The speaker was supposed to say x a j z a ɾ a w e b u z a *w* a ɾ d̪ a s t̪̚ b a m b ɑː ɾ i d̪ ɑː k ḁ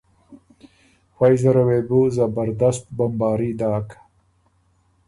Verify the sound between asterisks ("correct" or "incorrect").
incorrect